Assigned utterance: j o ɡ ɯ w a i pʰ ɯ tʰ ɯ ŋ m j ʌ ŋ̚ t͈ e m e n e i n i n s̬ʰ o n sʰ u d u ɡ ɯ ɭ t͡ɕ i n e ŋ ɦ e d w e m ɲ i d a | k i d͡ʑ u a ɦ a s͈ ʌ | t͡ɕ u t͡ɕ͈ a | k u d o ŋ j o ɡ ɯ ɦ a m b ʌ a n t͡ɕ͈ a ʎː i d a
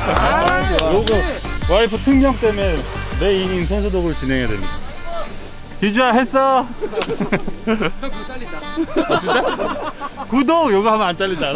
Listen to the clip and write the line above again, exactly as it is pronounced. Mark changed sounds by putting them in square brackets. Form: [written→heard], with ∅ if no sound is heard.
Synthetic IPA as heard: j o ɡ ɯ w a i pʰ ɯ tʰ ɯ ŋ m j ʌ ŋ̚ t͈ e m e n e i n i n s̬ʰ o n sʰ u d [u→o] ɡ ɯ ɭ t͡ɕ i n e ŋ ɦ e d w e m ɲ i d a | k i d͡ʑ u a ɦ [a→e] s͈ ʌ | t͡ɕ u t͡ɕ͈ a | k u d o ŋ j o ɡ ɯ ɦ a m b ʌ a n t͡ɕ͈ a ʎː i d a

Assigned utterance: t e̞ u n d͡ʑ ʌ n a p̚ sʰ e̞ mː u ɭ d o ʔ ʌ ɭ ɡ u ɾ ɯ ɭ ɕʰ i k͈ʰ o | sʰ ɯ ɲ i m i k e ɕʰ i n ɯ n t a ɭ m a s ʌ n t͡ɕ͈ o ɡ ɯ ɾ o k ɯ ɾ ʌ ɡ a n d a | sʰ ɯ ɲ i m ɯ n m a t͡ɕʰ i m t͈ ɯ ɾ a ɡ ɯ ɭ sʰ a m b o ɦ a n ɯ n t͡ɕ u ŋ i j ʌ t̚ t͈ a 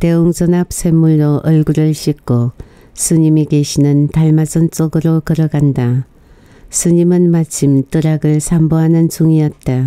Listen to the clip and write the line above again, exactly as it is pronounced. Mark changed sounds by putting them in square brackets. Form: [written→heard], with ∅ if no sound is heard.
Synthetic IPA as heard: t e̞ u [n→ŋ] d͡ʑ ʌ n a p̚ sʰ e̞ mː u ɭ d o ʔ ʌ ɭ ɡ u ɾ ɯ ɭ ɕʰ i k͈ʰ o | sʰ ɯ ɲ i m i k e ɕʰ i n ɯ n t a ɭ m a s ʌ n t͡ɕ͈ o ɡ ɯ ɾ o k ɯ ɾ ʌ ɡ a n d a | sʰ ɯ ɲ i m ɯ n m a t͡ɕʰ i m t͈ ɯ ɾ a ɡ ɯ ɭ sʰ a m b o ɦ a n ɯ n t͡ɕ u ŋ i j ʌ t̚ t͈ a

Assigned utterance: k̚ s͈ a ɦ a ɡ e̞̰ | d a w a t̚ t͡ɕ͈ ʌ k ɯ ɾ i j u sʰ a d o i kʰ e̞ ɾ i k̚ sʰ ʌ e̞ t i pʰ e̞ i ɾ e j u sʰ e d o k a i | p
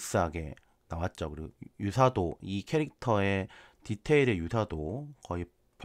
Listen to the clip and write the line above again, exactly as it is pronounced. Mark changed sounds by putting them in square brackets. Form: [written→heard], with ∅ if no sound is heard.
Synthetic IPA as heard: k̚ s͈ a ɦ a ɡ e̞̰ | [d→n] a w a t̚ t͡ɕ͈ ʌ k ɯ ɾ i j u sʰ a d o i kʰ e̞ ɾ i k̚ [sʰ→tʰ] ʌ e̞ t i [pʰ→tʰ] e̞ i ɾ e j u sʰ [e→a] d o k [a→ʌ] i | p

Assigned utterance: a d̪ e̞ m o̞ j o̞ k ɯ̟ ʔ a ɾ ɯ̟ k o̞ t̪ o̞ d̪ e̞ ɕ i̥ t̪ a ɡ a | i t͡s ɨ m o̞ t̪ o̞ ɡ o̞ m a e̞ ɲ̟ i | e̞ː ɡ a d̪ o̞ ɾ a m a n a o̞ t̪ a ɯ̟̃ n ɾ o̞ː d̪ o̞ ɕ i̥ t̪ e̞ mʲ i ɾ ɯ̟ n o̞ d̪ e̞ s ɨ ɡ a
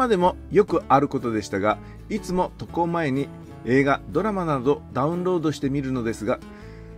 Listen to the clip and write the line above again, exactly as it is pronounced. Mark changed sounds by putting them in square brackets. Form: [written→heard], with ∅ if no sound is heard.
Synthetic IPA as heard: a d̪ e̞ m o̞ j o̞ k ɯ̟ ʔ a ɾ ɯ̟ k o̞ t̪ o̞ d̪ e̞ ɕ i̥ t̪ a ɡ a | i t͡s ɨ m o̞ t̪ o̞ [ɡ→k] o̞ m a e̞ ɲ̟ i | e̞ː ɡ a d̪ o̞ ɾ a m a n a o̞ [t̪→d̪] a ɯ̟̃ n ɾ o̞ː d̪ o̞ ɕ i̥ t̪ e̞ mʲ i ɾ ɯ̟ n o̞ d̪ e̞ s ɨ ɡ a

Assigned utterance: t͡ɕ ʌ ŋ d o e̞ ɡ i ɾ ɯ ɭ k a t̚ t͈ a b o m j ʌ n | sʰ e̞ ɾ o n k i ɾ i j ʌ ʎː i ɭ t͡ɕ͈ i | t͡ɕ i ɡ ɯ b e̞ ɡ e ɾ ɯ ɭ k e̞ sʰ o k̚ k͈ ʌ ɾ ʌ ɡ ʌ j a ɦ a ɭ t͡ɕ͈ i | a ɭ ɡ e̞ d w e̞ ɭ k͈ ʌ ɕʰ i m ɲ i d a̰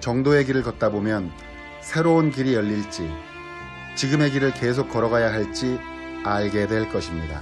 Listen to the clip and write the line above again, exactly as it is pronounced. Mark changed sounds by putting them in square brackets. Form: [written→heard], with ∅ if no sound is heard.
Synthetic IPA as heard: t͡ɕ ʌ ŋ d o e̞ ɡ i ɾ ɯ ɭ k [a→ʌ] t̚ t͈ a b o m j ʌ n | sʰ e̞ ɾ o n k i ɾ i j ʌ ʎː i ɭ t͡ɕ͈ i | t͡ɕ i ɡ ɯ [b→m] e̞ ɡ [e→i] ɾ ɯ ɭ k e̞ sʰ o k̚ k͈ ʌ ɾ ʌ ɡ [ʌ→a] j a ɦ a ɭ t͡ɕ͈ i | a ɭ ɡ e̞ d w e̞ ɭ k͈ ʌ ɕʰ i m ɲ i d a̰

